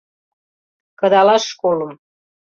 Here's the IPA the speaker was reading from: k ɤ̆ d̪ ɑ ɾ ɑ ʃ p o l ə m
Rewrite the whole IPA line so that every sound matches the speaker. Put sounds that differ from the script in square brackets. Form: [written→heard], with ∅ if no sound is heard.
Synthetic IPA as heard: k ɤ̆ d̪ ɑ [ɾ→l] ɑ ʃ [p→k] o l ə m